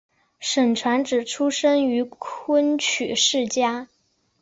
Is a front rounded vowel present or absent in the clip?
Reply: present